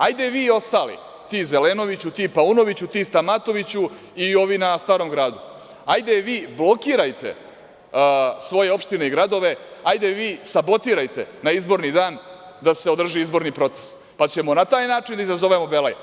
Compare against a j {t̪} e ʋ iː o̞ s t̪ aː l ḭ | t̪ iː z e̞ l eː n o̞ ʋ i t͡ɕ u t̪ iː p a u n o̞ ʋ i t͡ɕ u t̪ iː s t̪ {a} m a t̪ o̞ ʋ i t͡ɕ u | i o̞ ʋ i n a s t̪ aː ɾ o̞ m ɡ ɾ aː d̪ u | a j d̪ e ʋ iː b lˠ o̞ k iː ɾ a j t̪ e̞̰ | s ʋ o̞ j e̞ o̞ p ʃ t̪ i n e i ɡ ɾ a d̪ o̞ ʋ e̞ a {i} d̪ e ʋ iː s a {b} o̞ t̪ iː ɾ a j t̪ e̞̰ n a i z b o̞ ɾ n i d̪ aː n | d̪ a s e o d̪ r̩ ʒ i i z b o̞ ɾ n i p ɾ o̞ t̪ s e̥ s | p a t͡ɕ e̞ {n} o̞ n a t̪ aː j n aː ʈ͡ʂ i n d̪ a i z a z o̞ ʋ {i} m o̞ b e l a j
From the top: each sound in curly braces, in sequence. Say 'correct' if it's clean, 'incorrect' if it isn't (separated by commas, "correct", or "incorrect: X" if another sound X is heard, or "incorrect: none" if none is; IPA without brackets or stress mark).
incorrect: d̪, correct, incorrect: j, correct, incorrect: m, incorrect: e